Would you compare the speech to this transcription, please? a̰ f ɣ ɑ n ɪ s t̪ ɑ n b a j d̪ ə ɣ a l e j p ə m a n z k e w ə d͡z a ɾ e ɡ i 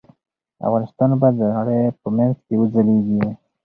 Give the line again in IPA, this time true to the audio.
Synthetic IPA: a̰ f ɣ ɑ n ɪ s t̪ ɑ n b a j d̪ ə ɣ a ɽ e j p ə m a n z k e w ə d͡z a l e ɡ i